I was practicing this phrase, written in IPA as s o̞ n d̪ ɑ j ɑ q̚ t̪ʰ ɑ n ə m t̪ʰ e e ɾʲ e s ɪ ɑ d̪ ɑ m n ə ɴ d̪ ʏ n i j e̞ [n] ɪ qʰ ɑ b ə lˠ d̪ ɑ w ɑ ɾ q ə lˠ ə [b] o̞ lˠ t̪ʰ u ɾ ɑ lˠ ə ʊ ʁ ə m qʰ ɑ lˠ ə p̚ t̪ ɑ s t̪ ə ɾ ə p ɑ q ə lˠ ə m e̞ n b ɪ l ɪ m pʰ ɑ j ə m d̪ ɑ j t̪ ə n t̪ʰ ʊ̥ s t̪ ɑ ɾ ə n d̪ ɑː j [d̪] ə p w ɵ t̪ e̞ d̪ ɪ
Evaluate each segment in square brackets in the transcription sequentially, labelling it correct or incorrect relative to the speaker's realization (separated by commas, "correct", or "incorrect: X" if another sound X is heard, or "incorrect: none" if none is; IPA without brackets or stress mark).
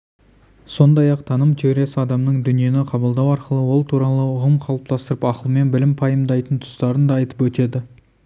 correct, incorrect: w, incorrect: t̪